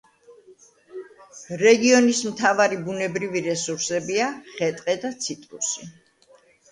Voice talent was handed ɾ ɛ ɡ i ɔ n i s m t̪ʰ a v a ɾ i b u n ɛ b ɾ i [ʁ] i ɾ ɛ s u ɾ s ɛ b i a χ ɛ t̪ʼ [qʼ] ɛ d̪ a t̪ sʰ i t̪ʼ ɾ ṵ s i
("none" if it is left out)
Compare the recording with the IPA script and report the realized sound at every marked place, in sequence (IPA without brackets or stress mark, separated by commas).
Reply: v, qʼ